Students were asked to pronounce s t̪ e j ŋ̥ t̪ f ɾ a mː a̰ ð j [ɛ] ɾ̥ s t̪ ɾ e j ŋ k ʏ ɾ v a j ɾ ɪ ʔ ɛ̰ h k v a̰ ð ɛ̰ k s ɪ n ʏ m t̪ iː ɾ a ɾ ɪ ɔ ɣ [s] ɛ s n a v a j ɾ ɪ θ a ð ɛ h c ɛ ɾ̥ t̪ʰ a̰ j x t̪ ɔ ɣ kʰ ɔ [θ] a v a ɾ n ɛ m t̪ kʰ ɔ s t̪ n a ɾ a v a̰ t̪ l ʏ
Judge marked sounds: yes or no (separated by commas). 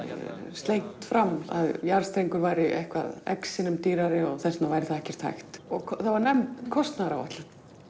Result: no, no, yes